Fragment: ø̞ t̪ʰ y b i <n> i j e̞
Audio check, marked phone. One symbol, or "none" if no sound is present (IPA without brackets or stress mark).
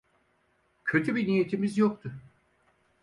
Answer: n